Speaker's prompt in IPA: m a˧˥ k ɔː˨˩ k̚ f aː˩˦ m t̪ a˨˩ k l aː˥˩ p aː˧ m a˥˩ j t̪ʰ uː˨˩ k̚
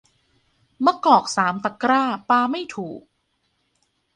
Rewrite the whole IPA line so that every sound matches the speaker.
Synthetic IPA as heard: m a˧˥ k ɔː˨˩ k̚ s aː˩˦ m t̪ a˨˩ k ɾ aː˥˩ p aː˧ m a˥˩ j t̪ʰ uː˨˩ k̚